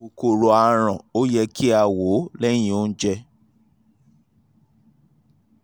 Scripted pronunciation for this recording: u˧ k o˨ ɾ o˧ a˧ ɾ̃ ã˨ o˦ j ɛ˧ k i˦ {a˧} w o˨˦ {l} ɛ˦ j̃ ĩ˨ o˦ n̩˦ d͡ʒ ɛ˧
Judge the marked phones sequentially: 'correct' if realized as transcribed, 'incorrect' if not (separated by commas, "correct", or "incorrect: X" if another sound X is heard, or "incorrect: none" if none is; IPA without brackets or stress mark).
correct, correct